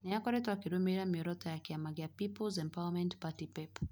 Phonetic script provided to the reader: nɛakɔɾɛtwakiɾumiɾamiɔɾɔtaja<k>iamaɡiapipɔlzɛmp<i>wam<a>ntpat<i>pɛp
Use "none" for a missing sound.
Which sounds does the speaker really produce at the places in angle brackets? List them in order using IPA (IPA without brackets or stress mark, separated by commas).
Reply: k, a, ɛ, i